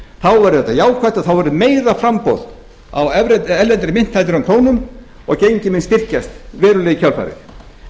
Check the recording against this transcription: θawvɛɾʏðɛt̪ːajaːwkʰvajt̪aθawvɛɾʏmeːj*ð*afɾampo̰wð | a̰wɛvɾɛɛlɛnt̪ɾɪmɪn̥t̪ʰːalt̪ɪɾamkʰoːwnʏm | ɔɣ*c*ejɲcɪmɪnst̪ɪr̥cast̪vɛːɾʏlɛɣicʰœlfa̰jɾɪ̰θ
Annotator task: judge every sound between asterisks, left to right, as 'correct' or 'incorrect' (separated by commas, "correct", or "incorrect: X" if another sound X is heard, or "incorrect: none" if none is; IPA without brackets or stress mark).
correct, correct